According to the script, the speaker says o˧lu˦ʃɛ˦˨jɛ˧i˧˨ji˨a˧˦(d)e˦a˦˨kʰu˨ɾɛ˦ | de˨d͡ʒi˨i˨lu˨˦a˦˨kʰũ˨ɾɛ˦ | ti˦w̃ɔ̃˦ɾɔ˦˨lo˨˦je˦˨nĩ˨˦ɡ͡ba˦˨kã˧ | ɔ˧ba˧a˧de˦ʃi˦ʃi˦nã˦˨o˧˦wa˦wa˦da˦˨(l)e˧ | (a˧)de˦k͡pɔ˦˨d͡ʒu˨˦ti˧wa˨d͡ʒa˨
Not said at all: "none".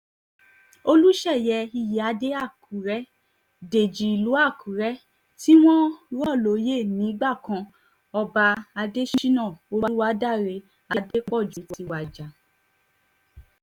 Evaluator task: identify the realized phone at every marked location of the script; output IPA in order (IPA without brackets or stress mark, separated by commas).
d, ɾ, a˧